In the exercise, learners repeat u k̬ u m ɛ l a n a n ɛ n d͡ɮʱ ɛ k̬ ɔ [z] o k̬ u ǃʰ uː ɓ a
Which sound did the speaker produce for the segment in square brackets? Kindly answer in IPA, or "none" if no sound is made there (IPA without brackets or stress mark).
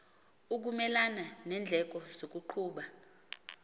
z